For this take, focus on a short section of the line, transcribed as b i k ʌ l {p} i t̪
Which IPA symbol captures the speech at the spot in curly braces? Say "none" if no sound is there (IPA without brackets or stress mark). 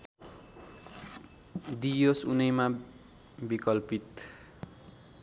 p